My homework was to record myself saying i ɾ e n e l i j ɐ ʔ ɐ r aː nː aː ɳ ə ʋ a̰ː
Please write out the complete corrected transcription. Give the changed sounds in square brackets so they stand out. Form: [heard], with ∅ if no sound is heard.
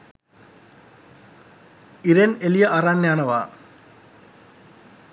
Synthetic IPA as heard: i ɾ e n e l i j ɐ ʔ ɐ r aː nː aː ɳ [ɐ] ʋ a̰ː